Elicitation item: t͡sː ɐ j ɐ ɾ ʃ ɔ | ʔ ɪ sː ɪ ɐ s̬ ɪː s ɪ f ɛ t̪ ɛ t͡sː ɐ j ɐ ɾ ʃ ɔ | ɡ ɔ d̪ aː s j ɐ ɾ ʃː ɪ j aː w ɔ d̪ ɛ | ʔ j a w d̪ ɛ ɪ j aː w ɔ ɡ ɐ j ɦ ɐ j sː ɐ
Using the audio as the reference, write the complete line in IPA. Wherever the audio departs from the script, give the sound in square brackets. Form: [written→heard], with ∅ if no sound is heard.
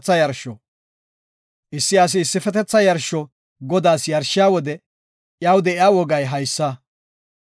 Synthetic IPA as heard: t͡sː ɐ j ɐ ɾ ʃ ɔ | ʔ ɪ sː ɪ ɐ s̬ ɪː [s→sː] ɪ f ɛ t̪ ɛ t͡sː ɐ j ɐ ɾ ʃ ɔ | ɡ ɔ d̪ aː s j ɐ ɾ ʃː ɪ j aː w ɔ d̪ ɛ | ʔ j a w d̪ ɛ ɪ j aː w ɔ ɡ ɐ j ɦ ɐ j sː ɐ